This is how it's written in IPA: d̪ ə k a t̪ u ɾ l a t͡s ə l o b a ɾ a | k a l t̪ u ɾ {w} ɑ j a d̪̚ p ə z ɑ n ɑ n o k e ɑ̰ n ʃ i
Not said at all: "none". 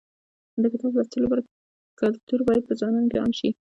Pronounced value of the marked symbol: b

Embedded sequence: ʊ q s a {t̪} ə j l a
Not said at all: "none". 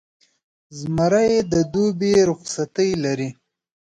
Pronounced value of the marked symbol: t̪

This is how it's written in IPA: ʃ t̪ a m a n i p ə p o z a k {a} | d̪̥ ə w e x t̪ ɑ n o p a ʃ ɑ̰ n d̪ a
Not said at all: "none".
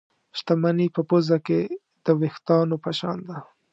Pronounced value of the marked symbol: e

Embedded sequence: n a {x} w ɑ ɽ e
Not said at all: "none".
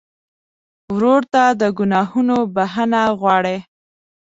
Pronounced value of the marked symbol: ɣ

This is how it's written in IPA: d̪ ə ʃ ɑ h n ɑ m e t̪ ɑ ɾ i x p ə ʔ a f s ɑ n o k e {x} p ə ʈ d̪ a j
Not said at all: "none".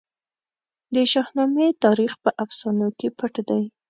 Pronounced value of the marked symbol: none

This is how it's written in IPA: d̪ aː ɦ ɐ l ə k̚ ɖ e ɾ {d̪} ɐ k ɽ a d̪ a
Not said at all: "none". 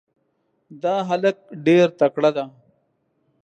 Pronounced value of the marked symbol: t̪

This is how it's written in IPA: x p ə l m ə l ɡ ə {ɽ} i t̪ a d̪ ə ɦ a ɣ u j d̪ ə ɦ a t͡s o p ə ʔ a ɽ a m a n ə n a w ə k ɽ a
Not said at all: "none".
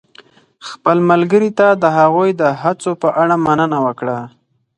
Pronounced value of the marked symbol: ɾ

